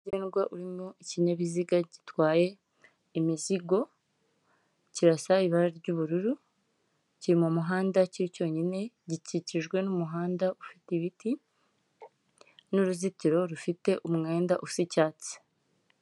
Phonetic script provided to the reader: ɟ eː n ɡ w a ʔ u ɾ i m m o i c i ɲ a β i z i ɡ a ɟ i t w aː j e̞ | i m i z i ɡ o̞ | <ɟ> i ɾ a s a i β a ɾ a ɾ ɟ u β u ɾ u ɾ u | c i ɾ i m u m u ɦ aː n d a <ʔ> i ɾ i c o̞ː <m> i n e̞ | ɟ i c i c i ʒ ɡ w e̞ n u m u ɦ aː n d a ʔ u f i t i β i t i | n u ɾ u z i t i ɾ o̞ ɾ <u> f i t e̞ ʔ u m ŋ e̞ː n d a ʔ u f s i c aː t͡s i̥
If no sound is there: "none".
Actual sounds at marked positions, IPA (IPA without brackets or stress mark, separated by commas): c, c, ɲ, u